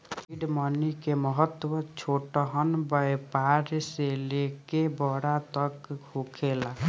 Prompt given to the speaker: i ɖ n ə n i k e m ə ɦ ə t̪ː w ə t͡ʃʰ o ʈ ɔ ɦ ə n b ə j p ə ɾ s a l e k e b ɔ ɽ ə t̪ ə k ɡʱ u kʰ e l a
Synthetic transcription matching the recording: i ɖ m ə n i k e m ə ɦ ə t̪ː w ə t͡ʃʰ o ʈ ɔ ɦ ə n b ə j p a ɾ s e l e k e b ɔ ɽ a t̪ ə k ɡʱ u kʰ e l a